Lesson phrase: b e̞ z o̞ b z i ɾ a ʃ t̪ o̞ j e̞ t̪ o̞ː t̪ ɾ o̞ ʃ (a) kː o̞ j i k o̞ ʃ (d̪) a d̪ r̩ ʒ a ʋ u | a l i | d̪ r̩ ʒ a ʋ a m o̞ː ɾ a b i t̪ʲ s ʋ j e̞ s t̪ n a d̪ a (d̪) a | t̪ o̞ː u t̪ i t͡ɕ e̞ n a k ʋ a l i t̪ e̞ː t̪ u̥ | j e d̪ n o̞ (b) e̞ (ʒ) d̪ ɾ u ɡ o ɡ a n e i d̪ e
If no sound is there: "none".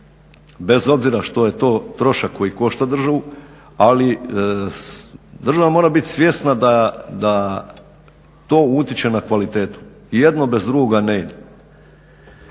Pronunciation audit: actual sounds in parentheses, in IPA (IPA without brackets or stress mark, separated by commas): a, t̪, d̪, b, z